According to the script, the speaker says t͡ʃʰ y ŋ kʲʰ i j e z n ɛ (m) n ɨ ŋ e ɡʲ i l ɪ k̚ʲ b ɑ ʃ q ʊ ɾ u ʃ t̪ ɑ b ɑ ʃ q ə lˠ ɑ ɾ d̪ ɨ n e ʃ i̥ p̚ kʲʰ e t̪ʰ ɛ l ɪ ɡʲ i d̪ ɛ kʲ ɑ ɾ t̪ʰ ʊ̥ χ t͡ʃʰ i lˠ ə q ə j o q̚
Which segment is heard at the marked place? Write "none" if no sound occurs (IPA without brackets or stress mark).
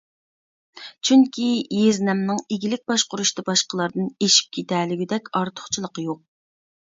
m